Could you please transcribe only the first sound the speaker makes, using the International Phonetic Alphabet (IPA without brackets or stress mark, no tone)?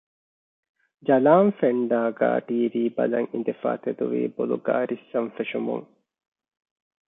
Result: d͡ʒ